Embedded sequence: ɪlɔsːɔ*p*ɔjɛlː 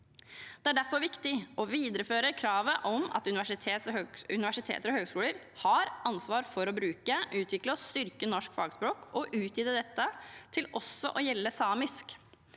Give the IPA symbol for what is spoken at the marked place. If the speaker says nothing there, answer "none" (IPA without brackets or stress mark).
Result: ʔ